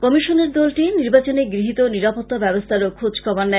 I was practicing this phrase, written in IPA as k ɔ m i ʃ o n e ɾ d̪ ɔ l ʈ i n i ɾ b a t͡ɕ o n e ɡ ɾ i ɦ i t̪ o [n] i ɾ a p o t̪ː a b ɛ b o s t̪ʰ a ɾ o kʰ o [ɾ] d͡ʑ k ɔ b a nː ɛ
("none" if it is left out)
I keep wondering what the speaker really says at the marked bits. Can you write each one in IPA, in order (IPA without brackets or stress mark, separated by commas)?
n, none